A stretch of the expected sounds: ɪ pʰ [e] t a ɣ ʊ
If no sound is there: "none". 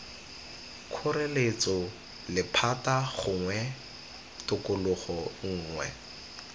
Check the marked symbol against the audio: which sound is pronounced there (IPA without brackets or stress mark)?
a